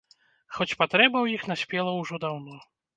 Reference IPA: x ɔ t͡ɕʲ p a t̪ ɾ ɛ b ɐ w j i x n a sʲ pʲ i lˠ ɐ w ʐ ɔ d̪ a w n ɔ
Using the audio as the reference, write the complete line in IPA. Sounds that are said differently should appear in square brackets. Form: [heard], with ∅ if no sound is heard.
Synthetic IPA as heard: x ɔ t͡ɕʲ p a t̪ ɾ ɛ b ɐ w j i x n a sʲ pʲ [ɛ] lˠ ɐ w ʐ ɔ d̪ a w n ɔ